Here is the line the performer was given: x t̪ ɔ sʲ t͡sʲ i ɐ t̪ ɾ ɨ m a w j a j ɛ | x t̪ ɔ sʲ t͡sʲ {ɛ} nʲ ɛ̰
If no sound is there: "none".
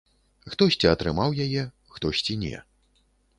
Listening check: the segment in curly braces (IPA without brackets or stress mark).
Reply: i